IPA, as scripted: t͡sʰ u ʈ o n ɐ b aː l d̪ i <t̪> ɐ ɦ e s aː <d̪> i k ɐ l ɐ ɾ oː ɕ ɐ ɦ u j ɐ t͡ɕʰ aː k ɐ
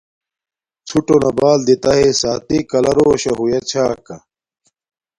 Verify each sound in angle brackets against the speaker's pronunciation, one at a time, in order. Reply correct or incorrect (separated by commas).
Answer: correct, incorrect